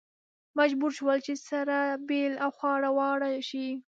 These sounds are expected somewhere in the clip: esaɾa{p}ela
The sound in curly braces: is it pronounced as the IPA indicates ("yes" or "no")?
no